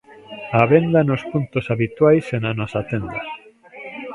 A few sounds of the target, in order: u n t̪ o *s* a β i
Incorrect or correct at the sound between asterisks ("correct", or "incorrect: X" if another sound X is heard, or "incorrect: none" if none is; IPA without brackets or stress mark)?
correct